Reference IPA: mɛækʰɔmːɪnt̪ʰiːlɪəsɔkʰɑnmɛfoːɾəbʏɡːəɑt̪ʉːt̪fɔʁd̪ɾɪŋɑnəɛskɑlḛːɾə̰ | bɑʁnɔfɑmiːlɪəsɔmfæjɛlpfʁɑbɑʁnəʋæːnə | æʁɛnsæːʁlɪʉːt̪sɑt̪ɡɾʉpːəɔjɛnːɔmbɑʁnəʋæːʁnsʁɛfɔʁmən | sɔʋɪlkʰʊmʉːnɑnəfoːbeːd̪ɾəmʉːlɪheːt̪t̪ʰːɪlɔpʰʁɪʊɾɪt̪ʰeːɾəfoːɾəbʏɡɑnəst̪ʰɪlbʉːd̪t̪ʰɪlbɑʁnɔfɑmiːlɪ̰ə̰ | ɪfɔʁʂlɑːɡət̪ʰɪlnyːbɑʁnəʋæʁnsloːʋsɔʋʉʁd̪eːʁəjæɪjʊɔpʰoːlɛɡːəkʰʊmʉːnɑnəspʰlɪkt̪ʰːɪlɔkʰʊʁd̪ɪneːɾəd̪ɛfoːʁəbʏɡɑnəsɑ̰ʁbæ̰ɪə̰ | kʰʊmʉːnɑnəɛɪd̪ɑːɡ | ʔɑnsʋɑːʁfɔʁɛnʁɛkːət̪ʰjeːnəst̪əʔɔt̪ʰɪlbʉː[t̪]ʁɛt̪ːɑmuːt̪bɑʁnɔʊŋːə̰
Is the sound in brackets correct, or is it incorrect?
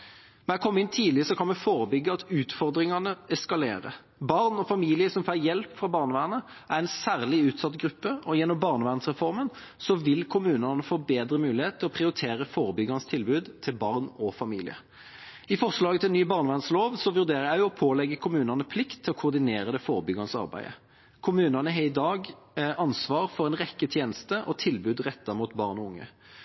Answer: incorrect